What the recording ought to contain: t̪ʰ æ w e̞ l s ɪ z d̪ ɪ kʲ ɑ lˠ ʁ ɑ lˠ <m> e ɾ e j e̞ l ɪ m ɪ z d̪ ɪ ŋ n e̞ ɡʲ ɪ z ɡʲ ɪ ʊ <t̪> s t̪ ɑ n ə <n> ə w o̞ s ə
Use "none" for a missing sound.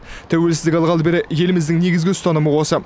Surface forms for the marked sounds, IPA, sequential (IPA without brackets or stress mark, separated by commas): b, none, m